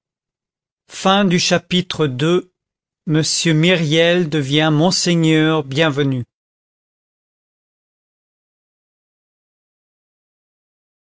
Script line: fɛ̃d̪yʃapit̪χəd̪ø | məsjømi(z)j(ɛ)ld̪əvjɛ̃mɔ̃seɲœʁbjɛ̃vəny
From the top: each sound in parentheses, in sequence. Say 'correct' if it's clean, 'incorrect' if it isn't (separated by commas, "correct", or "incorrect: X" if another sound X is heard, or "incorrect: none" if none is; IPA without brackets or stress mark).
incorrect: ʁ, correct